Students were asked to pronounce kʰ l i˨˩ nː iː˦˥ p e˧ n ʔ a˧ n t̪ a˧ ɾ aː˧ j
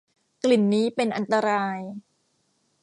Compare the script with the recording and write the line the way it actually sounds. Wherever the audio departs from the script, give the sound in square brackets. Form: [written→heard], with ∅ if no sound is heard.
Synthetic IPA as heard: [kʰ→k] l i˨˩ nː iː˦˥ p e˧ n ʔ a˧ n t̪ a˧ ɾ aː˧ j